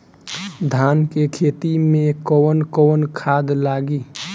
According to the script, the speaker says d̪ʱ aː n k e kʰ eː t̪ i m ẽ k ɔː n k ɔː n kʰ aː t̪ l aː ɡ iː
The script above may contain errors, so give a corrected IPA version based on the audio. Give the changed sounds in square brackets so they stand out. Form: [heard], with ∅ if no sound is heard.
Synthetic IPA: d̪ʱ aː n k e kʰ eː t̪ i m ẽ k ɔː n k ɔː n kʰ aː [d̪] l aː ɡ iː

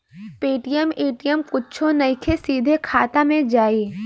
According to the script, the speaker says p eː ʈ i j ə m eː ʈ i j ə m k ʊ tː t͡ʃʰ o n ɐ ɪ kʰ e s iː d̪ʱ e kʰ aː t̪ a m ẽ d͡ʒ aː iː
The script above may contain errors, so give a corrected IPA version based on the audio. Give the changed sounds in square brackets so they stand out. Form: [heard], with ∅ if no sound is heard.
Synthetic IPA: p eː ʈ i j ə m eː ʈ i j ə m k ʊ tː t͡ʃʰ o n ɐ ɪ kʰ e s iː d̪ʱ e kʰ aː t̪ a m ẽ d͡ʒ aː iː

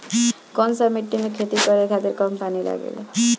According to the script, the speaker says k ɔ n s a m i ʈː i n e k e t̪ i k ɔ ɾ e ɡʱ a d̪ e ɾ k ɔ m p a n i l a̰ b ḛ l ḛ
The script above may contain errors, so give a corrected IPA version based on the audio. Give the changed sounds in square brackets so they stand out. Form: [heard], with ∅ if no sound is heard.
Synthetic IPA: k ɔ n s a m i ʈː i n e [kʰ] e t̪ i k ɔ ɾ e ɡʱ a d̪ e ɾ k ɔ m p a n i l a̰ [ɡ] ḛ l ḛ

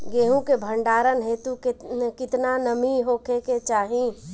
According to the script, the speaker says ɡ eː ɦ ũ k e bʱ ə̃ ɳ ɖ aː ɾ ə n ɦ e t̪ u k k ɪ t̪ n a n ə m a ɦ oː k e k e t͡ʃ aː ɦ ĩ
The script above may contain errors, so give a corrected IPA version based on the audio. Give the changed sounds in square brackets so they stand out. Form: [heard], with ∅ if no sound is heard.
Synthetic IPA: ɡ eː ɦ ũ k e bʱ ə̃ ɳ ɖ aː ɾ ə n ɦ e t̪ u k k ɪ t̪ n a n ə m [i] ɦ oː k e k e t͡ʃ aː ɦ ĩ

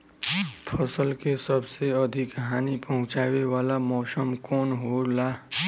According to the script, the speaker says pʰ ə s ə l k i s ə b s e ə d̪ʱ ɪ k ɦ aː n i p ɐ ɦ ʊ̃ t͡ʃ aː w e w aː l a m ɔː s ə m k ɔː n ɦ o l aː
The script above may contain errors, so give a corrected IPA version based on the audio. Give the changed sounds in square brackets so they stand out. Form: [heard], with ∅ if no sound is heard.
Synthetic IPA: pʰ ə s ə l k [e] s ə b s e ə d̪ʱ ɪ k ɦ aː n i p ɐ ɦ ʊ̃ t͡ʃ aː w e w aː l a m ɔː s ə m k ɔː n ɦ o l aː

